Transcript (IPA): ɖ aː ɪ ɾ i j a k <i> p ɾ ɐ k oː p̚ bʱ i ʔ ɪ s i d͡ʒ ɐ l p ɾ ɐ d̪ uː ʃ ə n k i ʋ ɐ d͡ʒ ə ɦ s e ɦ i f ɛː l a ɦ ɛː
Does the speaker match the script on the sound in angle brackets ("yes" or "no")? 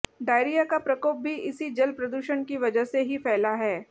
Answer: no